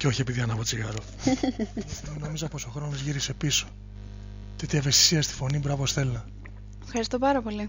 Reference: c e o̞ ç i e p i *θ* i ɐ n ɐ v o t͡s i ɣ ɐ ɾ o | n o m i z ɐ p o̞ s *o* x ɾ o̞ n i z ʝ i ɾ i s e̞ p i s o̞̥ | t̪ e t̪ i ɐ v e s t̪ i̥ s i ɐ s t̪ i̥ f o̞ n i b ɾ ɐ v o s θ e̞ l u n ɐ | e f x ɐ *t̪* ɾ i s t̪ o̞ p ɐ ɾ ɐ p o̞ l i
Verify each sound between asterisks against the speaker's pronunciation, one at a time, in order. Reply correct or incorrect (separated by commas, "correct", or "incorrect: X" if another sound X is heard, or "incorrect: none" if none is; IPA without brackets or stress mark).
incorrect: ð, correct, incorrect: none